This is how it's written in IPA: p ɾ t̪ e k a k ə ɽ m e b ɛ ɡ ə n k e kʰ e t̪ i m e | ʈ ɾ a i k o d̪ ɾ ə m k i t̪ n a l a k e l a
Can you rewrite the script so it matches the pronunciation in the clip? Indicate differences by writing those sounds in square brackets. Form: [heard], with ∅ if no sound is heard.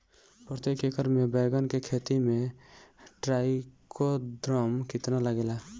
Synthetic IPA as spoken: p ɾ t̪ e k [e] k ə [ɾ] m e b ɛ ɡ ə n k e kʰ e t̪ i m e | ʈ ɾ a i k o d̪ ɾ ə m k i t̪ n a l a [ɡ] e l a